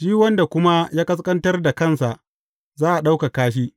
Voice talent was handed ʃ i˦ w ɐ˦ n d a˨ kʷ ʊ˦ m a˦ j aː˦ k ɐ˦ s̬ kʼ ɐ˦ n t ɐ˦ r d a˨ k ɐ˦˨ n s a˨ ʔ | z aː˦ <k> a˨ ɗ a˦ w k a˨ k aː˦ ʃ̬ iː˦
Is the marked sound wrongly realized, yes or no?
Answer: yes